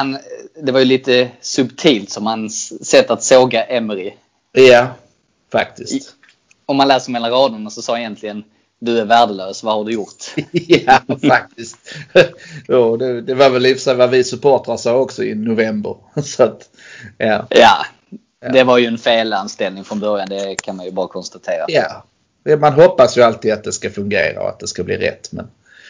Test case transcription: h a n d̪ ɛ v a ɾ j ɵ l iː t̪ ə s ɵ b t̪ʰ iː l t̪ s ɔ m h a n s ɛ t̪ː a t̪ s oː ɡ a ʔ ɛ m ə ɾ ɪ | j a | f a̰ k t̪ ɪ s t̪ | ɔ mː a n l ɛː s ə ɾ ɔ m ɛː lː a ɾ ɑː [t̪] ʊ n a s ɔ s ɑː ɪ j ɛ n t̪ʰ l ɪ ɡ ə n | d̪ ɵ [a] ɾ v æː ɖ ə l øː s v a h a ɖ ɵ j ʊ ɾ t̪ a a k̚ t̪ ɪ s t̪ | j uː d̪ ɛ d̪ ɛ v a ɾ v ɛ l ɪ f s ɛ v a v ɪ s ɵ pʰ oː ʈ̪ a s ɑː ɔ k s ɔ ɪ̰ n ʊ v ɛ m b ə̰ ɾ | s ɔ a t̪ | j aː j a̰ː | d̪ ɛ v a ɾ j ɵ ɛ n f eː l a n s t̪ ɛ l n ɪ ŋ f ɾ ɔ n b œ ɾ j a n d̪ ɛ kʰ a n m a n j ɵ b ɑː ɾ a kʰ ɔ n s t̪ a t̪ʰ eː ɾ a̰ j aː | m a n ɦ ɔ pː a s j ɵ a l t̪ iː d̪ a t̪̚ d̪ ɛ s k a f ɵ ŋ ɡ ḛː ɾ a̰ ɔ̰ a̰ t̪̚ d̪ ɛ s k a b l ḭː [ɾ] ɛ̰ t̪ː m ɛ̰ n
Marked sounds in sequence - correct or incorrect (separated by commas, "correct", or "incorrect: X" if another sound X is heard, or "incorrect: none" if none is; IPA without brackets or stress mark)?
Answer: incorrect: d̪, incorrect: æ, correct